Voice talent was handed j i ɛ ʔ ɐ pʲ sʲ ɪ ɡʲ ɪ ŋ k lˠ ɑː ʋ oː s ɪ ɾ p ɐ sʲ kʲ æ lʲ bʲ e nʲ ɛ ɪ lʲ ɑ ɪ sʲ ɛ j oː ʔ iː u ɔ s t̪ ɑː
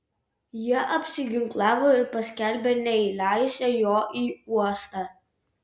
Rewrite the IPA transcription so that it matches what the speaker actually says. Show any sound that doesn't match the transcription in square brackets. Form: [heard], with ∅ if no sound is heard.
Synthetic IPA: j i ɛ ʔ ɐ pʲ sʲ ɪ ɡʲ ɪ ŋ k lˠ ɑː ʋ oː [∅] ɪ ɾ p ɐ sʲ kʲ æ lʲ bʲ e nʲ ɛ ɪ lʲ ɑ ɪ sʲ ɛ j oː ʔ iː u ɔ s t̪ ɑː